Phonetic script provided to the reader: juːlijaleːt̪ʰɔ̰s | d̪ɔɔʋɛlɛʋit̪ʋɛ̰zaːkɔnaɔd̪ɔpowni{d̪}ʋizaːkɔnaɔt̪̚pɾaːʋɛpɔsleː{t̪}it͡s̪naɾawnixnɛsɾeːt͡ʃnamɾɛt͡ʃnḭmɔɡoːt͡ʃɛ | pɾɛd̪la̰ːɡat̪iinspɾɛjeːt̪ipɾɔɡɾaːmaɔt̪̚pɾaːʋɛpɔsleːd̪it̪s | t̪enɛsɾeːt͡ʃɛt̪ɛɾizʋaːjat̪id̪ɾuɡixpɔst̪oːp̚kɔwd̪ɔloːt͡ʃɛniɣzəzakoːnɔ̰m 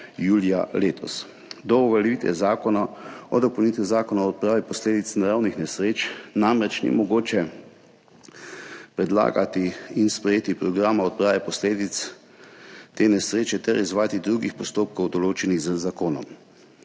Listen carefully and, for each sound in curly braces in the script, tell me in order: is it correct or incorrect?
incorrect: t̪, incorrect: d̪

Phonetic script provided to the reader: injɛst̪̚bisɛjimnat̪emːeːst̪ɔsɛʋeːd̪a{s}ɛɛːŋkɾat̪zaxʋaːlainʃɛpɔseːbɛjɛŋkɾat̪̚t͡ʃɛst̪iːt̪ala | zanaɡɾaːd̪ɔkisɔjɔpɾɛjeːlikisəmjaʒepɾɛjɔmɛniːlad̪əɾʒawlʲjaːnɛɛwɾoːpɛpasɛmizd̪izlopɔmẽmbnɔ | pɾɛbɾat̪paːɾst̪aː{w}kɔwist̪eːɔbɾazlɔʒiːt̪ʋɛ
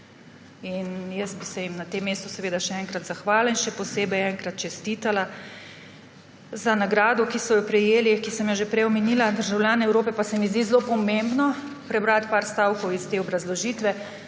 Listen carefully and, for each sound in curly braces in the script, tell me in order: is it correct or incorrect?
incorrect: ʃ, correct

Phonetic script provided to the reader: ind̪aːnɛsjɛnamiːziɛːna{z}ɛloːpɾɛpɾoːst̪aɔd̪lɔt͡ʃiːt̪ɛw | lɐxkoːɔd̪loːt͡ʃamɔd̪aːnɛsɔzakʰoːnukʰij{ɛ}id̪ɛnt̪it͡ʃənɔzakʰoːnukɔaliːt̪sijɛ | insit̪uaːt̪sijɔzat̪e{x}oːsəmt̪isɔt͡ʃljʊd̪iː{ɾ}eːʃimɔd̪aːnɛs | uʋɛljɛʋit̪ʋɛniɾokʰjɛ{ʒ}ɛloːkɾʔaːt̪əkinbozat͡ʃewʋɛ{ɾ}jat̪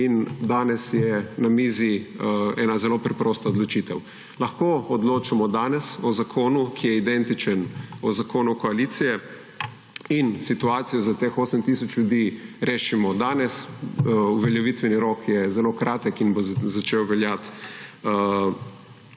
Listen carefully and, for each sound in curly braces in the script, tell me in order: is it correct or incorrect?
correct, correct, correct, correct, incorrect: z, incorrect: l

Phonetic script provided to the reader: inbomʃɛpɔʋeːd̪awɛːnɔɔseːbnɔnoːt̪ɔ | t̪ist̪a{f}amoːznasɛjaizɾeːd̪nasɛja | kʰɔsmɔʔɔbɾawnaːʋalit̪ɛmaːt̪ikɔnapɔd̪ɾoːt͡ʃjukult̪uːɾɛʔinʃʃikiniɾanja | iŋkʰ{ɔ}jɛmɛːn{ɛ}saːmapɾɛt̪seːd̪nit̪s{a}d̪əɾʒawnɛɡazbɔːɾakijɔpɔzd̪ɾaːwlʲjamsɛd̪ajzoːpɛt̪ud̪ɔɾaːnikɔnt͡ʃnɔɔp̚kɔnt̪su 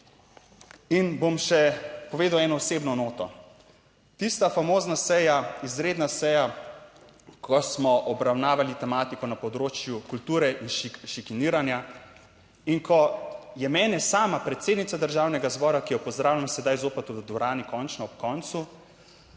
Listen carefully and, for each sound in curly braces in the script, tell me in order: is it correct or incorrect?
correct, correct, correct, correct

